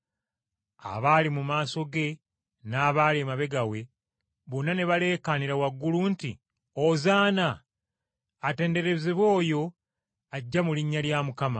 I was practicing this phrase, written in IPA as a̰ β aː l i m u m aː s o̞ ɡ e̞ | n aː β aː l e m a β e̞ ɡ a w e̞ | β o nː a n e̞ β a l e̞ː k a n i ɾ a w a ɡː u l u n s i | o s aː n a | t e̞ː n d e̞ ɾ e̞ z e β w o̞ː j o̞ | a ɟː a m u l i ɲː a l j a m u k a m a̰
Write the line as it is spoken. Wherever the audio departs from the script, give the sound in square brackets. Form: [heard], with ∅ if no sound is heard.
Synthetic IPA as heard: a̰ β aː l i m u m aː s o̞ ɡ e̞ | n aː β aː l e m a β e̞ ɡ a w e̞ | β o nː a n e̞ β a l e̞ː k a n i ɾ a w a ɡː u l u n [t] i | o [z] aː n a | t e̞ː n d e̞ ɾ e̞ z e β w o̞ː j o̞ | a ɟː a m u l i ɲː a l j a m u k a m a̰

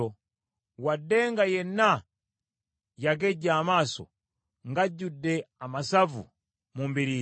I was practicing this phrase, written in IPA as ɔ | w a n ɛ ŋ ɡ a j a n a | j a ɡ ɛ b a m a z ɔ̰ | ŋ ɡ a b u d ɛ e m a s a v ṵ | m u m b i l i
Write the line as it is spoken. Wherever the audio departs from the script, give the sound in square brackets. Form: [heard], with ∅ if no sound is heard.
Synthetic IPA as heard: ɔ | w a [d] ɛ ŋ ɡ a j [ɛ] n a | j a ɡ ɛ [ɟ] a m a [s] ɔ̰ | ŋ ɡ a [ɟ] u d ɛ [a] m a s a v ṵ | m u m b i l i

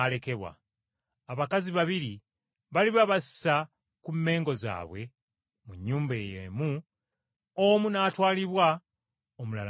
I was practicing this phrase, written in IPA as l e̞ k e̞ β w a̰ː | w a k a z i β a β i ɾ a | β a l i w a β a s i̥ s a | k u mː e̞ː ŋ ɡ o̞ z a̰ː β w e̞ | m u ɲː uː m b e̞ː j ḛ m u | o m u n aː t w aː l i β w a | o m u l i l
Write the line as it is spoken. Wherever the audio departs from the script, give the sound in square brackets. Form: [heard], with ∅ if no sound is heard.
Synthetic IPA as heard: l e̞ k e̞ β w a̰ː | [β] a k a z i β a β i ɾ [i] | β a l i [β] a β a s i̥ s a | k u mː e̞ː ŋ ɡ o̞ z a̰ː β w e̞ | m u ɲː uː m b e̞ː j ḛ m u | o m u n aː t w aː l i β w a | o m u l [a] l

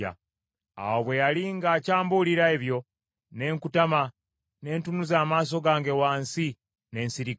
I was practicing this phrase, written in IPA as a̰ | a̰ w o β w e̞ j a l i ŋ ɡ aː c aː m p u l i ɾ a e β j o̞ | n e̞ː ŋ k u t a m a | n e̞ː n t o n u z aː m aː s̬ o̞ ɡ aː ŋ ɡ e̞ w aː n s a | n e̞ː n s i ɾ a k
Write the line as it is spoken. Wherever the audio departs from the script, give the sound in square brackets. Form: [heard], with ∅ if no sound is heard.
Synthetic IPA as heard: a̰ | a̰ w o β w e̞ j a l i ŋ ɡ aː c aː m [b] u l i ɾ a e β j o̞ | n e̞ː ŋ k u t a m a | n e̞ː n t [u] n u z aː m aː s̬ o̞ ɡ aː ŋ ɡ e̞ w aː n s [i] | n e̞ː n s i ɾ [i] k

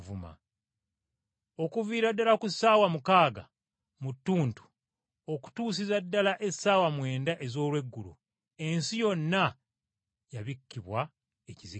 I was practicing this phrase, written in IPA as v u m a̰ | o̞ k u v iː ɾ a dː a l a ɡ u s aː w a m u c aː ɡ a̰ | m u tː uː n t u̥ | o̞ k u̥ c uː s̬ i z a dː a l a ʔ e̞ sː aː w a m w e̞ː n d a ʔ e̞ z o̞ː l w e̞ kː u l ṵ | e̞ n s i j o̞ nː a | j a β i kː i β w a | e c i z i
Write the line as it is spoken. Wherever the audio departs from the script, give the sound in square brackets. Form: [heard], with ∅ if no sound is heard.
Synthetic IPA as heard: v u m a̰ | o̞ k u v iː ɾ a dː a l a [k] u s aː w a m u [k] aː ɡ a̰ | m u tː uː n t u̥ | o̞ k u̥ [t] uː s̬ i z a dː a l a ʔ e̞ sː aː w a m w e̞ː n d a ʔ e̞ z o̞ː l w e̞ [ɡː] u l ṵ | e̞ n s i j o̞ nː a | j a β i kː i β w a | e c i z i

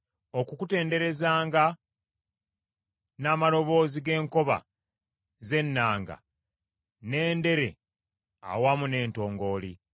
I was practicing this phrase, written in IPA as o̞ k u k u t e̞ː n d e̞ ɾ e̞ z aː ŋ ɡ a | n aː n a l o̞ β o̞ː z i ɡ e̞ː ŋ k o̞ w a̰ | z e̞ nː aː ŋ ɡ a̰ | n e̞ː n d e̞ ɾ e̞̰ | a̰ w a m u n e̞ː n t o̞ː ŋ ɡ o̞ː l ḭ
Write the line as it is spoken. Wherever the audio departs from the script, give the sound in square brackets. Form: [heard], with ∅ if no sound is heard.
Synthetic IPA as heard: o̞ k u k u t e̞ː n d e̞ ɾ e̞ z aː ŋ ɡ a | n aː [m] a l o̞ β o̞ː z i ɡ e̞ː ŋ k o̞ [β] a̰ | z e̞ nː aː ŋ ɡ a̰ | n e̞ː n d e̞ ɾ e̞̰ | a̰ w a m u n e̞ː n t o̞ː ŋ ɡ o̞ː l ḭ

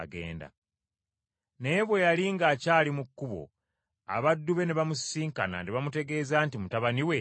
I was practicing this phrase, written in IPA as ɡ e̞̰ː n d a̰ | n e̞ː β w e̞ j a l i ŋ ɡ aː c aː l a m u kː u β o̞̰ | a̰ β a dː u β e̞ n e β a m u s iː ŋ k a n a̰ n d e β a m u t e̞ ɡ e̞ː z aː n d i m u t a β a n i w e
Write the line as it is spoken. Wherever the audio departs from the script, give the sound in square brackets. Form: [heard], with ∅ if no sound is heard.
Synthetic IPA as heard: ɡ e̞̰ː n d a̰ | n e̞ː β w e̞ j a l i ŋ ɡ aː c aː l [i] m u kː u β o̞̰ | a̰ β a dː u β e̞ n e β a m u s iː ŋ k a n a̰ n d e β a m u t e̞ ɡ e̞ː z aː n [t] i m u t a β a n i w e

